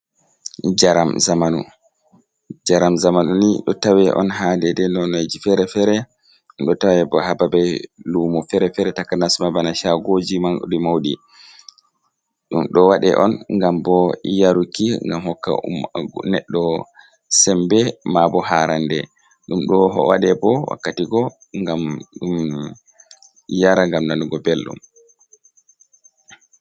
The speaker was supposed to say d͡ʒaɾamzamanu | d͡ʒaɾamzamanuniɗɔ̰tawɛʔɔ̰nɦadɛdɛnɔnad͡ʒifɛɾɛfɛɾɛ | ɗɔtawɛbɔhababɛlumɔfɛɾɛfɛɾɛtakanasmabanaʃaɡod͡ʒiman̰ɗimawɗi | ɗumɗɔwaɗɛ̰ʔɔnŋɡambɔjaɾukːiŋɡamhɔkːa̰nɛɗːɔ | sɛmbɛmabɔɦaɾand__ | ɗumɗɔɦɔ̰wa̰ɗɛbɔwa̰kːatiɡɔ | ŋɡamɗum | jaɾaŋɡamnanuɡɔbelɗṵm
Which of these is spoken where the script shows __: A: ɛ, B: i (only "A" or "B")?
A